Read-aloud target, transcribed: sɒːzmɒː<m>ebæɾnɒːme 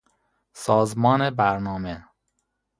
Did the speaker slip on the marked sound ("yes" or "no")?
yes